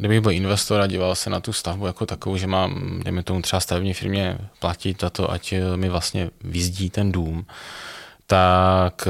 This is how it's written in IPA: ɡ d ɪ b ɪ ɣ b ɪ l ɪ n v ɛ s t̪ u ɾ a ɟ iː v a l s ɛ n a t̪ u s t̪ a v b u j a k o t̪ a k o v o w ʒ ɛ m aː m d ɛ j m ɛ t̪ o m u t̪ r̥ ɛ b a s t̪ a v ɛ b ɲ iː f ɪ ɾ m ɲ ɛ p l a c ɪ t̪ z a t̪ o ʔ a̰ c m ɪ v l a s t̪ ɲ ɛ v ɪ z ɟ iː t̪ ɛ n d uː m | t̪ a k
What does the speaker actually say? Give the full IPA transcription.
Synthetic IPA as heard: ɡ d ɪ b ɪ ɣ b ɪ l ɪ n v ɛ s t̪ o ɾ a ɟ iː v a l s ɛ n a t̪ u s t̪ a v b u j a k o t̪ a k o v o w ʒ ɛ m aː m d ɛ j m ɛ t̪ o m u t̪ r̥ ɛ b a s t̪ a v ɛ b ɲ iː f ɪ ɾ m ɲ ɛ p l a c ɪ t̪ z a t̪ o ʔ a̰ c m ɪ v l a s t̪ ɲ ɛ v ɪ z ɟ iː t̪ ɛ n d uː m | t̪ a k